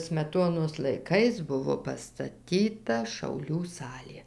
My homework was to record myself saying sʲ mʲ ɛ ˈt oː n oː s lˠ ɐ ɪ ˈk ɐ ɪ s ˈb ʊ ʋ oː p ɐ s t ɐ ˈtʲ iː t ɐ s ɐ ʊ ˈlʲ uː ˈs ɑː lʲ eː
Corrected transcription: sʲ mʲ ɛ ˈt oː n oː s lˠ ɐ ɪ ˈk ɐ ɪ s ˈb ʊ ʋ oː p ɐ s t ɐ ˈtʲ iː t ɐ ʃ ɐ ʊ ˈlʲ uː ˈs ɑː lʲ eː